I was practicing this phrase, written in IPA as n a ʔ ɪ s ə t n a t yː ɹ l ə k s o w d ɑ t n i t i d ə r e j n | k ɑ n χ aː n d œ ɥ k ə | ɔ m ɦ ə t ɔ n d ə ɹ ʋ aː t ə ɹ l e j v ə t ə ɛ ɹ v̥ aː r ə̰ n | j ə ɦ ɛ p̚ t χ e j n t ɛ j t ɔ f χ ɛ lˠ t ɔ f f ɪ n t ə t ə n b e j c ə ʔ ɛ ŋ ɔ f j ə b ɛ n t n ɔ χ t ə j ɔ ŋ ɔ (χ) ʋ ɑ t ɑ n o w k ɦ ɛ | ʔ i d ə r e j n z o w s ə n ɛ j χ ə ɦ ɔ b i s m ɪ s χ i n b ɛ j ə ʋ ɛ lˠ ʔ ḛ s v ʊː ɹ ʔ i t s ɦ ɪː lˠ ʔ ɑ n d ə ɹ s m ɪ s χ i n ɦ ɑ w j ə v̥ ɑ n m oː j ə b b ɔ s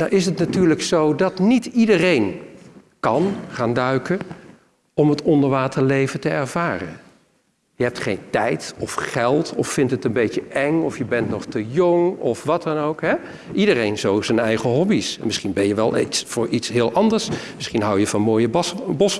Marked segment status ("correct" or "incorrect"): incorrect